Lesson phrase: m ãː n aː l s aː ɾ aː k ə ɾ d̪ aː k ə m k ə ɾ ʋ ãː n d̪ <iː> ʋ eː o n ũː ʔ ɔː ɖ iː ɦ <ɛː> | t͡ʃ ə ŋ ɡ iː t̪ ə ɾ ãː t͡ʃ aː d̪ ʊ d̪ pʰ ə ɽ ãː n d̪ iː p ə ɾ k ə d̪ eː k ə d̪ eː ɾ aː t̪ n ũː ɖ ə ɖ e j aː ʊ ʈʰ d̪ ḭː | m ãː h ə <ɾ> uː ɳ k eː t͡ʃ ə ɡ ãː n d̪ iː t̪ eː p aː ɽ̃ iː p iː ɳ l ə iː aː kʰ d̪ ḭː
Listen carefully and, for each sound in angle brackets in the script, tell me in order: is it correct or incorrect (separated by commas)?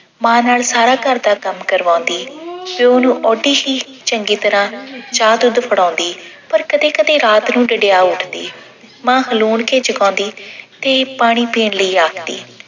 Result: correct, incorrect, incorrect